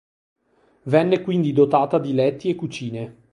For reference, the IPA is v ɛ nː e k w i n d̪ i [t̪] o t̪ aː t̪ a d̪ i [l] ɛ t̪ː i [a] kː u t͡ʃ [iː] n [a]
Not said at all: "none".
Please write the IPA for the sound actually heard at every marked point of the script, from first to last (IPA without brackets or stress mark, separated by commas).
d̪, l, e, iː, e